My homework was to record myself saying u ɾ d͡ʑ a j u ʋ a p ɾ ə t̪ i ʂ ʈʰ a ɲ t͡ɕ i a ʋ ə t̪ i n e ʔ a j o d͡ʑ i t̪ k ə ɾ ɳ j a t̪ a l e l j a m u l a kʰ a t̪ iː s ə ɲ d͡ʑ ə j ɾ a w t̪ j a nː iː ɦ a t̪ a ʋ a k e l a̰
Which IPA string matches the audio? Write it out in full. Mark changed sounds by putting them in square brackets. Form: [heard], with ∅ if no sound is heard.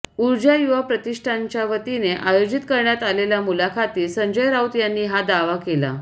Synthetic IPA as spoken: u ɾ d͡ʑ a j u ʋ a p ɾ ə t̪ i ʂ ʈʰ a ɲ t͡ɕ [j] a ʋ ə t̪ i n e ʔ a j o d͡ʑ i t̪ k ə ɾ ɳ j a t̪ a l e l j a m u l a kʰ a t̪ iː s ə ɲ d͡ʑ ə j ɾ a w t̪ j a nː iː ɦ a [d̪] a ʋ a k e l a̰